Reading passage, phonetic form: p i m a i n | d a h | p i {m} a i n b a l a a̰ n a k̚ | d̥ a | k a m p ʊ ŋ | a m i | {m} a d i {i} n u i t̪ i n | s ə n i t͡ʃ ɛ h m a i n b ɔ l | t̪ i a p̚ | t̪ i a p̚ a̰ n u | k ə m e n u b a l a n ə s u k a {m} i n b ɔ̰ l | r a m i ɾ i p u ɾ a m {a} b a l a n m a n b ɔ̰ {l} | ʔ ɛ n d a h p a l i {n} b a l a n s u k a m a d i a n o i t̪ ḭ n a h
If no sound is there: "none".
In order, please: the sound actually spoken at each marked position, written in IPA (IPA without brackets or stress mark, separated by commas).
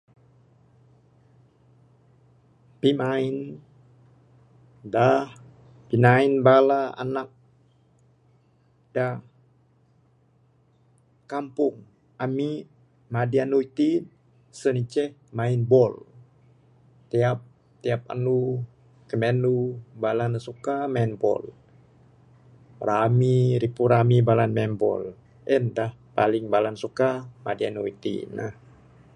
n, m, a, m, i, l, ŋ